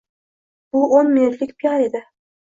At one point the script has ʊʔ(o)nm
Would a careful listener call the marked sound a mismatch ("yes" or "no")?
no